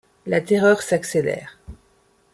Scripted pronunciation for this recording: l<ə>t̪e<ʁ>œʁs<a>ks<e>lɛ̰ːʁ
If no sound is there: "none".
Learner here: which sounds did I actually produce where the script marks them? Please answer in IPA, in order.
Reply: a, ʁ, a, e

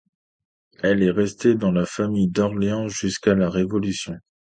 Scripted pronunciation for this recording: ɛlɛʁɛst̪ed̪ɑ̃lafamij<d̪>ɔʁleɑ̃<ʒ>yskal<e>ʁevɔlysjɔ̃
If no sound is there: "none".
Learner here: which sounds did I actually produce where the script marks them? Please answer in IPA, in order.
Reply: d̪, ʒ, a

